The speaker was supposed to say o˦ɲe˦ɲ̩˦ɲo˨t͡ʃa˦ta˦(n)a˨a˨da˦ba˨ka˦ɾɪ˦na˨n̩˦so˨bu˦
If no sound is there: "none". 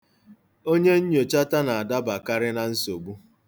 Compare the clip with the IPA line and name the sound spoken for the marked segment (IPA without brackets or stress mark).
n